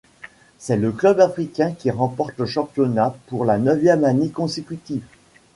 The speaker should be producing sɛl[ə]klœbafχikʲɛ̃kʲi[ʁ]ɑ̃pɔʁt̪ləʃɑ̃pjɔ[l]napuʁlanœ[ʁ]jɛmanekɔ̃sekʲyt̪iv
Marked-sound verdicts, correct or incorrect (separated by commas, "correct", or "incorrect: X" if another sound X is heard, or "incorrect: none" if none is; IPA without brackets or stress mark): correct, correct, incorrect: none, incorrect: v